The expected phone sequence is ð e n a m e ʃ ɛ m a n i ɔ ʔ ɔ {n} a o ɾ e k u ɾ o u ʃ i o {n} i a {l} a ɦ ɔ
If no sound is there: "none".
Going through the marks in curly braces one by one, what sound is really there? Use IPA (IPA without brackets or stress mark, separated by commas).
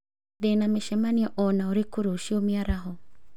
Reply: n, m, ɾ